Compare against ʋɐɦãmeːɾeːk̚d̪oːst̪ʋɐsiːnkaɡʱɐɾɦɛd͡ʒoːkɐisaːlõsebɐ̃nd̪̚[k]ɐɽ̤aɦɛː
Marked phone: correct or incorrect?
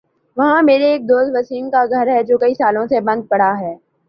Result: incorrect: p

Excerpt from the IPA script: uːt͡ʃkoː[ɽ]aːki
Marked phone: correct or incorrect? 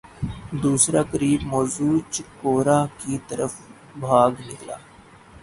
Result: incorrect: ɾ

